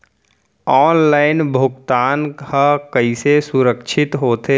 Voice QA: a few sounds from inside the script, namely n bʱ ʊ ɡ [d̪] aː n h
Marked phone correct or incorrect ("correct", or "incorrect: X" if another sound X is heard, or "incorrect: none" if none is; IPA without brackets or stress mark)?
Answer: incorrect: t̪